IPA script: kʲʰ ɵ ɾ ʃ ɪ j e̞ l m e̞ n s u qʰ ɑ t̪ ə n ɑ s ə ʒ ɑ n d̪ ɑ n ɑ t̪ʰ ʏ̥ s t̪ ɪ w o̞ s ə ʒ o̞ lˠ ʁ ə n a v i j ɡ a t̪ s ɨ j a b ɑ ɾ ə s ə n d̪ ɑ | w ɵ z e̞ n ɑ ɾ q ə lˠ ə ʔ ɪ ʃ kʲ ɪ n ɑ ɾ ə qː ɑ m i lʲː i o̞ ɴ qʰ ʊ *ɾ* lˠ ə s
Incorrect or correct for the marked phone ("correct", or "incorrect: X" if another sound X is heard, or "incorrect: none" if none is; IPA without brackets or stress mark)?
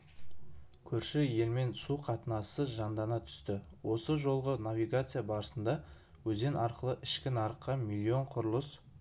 correct